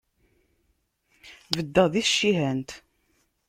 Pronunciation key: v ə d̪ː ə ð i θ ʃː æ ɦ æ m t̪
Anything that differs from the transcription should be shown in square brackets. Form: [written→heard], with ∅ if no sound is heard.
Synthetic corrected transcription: v ə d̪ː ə ð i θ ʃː [æ→i] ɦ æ [m→n] t̪